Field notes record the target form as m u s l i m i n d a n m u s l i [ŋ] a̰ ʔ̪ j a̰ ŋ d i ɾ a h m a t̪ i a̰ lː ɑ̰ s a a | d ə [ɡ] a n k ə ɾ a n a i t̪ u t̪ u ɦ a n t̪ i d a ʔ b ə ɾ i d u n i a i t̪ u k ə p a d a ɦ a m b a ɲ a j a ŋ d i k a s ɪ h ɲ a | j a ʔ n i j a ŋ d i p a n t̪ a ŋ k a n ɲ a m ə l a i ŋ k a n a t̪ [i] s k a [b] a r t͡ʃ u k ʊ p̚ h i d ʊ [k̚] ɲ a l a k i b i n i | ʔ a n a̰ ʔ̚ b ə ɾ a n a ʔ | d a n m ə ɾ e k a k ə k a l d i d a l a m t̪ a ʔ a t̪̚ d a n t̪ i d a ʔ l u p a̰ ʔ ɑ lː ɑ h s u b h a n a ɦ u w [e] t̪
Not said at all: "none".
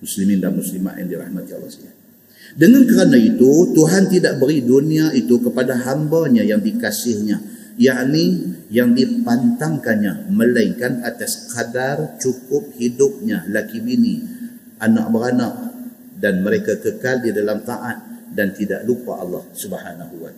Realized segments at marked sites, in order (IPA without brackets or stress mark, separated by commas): m, ŋ, a, d, p̚, a